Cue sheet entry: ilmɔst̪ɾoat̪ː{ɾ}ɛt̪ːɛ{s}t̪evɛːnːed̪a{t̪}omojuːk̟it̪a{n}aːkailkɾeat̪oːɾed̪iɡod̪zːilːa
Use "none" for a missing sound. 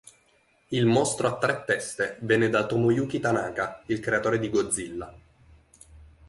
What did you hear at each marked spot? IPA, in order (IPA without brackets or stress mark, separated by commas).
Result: ɾ, s, t̪, n